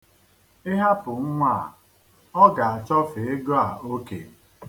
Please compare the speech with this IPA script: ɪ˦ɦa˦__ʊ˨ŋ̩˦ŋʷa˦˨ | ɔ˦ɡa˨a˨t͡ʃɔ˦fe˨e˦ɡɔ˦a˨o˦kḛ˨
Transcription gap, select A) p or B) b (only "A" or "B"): A